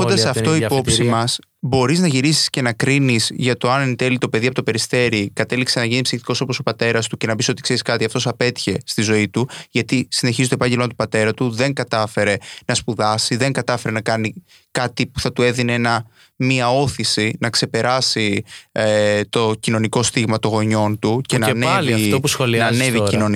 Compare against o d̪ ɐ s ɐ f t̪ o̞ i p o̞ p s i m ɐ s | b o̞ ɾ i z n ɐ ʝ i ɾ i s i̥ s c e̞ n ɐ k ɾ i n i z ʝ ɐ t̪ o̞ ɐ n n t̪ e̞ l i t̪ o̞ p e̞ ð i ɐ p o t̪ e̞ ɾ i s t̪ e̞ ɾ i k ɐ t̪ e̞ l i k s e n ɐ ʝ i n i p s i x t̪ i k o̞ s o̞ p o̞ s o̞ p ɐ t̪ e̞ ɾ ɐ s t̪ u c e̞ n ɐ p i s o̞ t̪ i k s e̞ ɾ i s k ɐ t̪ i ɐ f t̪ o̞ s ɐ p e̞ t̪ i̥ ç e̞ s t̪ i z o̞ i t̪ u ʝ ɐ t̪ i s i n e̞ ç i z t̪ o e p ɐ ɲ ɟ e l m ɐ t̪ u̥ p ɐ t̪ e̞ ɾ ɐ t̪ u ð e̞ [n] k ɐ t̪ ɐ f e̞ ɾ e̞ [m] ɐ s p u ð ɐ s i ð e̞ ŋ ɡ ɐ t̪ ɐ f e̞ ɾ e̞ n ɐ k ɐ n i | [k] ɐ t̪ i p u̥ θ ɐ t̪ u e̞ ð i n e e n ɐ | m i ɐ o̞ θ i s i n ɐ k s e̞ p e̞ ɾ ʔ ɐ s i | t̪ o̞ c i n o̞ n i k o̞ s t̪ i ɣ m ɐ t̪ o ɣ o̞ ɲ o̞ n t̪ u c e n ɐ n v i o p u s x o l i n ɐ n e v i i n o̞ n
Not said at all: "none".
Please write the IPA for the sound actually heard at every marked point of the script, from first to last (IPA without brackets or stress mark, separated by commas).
ŋ, n, k